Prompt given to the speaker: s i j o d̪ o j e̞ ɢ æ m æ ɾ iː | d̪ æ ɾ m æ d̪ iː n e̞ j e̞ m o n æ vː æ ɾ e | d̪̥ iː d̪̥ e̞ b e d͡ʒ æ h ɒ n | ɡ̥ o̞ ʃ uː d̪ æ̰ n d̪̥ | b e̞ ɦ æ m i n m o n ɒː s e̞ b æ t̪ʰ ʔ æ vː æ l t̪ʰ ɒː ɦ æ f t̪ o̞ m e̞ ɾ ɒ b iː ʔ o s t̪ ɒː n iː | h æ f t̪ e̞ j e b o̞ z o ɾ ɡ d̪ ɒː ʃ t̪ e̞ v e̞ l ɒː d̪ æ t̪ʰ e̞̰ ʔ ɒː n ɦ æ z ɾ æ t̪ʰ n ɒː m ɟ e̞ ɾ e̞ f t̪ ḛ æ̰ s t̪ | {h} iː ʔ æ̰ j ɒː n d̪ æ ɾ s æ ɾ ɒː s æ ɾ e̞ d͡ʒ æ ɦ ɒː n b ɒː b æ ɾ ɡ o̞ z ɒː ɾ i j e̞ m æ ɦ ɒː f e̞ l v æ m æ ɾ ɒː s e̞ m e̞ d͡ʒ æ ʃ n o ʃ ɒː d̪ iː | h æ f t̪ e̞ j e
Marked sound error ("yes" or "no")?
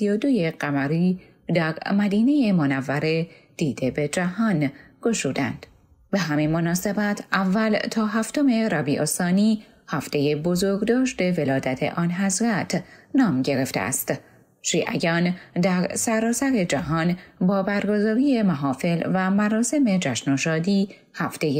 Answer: yes